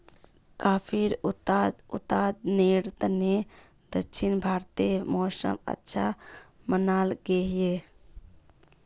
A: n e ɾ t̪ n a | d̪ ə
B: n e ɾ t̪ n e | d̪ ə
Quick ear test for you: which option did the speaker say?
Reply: B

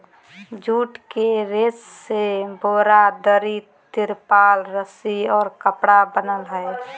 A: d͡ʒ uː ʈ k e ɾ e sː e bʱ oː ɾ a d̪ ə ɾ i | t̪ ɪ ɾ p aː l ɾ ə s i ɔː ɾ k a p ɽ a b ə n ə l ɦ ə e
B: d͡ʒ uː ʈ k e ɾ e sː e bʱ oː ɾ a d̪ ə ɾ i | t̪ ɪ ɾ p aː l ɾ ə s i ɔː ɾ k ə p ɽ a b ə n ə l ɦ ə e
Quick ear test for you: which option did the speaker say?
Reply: B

